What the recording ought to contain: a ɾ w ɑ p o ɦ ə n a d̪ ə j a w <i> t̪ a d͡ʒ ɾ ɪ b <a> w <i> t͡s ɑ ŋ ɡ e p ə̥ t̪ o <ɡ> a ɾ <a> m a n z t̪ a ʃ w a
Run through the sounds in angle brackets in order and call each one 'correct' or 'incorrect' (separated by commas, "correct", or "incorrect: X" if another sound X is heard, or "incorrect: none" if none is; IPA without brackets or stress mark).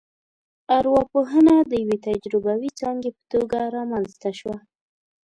incorrect: e, correct, correct, correct, incorrect: ɑ